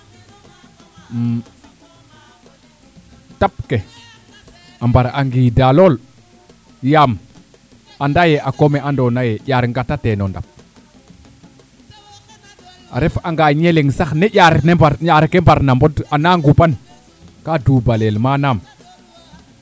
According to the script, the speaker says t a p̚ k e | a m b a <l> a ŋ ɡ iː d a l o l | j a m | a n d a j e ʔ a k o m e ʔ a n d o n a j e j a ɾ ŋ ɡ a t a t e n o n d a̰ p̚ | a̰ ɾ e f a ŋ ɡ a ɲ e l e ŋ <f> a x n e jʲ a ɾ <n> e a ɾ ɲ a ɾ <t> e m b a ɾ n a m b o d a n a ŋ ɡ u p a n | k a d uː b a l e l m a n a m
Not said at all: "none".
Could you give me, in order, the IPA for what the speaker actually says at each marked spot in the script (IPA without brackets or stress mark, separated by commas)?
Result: ɾ, s, n, k